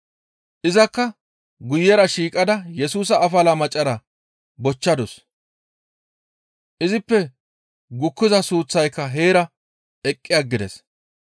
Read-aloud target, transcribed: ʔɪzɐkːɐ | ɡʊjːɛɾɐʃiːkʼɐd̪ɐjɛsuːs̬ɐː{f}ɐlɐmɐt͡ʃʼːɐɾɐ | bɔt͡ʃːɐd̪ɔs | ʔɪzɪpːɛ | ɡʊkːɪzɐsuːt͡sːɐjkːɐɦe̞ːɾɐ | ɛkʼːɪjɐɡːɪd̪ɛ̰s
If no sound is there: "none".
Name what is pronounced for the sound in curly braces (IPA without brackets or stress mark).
f